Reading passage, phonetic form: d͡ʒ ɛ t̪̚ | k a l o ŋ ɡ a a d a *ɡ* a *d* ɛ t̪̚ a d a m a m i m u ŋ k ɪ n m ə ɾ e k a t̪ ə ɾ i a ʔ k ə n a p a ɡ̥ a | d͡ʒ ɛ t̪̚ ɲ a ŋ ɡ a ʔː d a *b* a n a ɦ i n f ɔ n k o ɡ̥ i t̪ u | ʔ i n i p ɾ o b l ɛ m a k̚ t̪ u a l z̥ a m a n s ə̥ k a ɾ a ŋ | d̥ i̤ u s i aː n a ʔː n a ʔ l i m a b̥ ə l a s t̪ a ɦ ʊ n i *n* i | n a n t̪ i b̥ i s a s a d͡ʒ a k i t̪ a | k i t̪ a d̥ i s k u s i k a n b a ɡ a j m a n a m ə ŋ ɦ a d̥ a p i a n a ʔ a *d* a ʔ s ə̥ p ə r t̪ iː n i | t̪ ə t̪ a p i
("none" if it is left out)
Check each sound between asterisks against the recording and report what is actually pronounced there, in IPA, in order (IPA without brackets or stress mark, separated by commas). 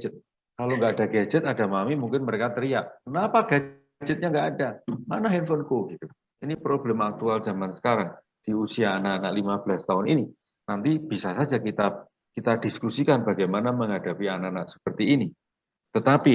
ɡ, d͡ʒ, m, n, n